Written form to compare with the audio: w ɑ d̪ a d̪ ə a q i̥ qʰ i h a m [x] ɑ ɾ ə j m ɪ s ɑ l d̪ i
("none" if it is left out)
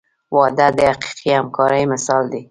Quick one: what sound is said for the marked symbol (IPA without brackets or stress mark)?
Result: k